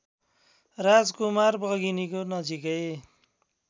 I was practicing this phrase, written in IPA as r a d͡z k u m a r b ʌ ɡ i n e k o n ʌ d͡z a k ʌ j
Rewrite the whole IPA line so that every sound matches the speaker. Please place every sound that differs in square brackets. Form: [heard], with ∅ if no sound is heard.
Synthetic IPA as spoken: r a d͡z k u m a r b ʌ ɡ i n [i] k o n ʌ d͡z [i] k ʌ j